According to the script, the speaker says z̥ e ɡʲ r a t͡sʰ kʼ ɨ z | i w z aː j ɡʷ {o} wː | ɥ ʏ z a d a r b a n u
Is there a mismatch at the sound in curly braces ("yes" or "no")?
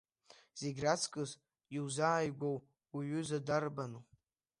no